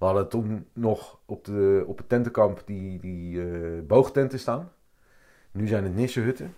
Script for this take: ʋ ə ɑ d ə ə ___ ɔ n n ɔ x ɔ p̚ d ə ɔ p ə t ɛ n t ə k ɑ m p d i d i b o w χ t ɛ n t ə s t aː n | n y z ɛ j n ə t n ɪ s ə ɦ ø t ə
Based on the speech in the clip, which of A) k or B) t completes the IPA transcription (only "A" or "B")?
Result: B